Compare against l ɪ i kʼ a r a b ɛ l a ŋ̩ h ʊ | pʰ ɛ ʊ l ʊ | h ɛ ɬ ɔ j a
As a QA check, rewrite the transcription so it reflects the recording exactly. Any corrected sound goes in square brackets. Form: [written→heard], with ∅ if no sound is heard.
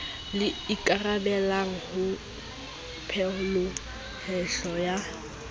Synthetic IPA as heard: l ɪ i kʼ a r a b ɛ l a ŋ̩ h ʊ | pʰ ɛ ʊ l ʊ | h ɛ ɬ ɔ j a